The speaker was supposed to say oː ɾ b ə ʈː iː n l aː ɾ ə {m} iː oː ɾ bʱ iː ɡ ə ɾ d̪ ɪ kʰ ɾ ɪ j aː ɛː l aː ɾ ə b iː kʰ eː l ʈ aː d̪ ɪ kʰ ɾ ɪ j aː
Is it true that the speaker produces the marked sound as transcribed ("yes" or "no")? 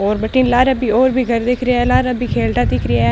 no